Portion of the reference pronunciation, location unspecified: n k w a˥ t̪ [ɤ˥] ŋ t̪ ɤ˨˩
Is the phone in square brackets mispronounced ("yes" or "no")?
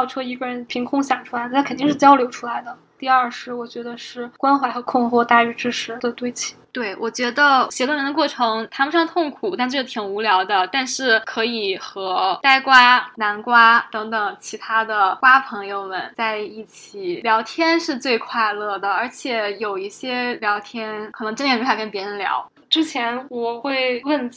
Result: yes